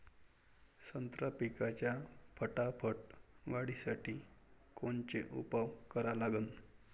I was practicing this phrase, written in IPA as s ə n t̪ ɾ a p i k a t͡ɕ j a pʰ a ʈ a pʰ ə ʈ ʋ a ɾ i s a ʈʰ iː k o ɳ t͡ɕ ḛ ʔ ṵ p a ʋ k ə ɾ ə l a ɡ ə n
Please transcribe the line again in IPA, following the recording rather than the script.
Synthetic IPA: s ə n t̪ ɾ a p i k a t͡ɕ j a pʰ ə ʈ a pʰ ə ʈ ʋ a ɽ i s a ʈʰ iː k o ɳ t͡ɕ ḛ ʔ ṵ p a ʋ k ə ɾ a l a ɡ ə n